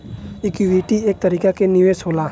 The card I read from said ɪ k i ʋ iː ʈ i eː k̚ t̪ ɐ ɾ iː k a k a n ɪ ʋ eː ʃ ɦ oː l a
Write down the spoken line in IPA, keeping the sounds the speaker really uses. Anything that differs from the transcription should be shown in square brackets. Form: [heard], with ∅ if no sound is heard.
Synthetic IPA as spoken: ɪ k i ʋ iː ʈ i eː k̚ t̪ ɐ ɾ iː k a k [e] n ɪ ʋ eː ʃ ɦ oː l a